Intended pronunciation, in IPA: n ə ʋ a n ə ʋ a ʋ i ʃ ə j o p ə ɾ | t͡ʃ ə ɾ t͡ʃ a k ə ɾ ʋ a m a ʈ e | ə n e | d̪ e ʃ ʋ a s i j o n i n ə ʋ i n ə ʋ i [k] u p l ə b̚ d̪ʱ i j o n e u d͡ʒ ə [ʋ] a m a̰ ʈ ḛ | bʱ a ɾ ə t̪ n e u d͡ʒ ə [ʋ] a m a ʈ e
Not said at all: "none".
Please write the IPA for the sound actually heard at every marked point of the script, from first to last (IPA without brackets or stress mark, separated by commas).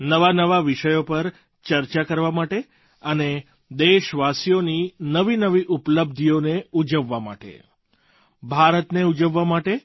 ʔ, ʋː, ʋː